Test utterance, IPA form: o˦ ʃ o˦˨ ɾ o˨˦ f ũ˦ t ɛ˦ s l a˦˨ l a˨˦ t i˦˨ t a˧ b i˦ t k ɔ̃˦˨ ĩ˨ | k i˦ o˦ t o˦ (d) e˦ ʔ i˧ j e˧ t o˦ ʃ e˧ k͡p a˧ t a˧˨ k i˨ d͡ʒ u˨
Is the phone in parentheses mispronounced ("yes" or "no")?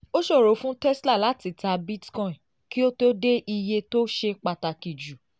no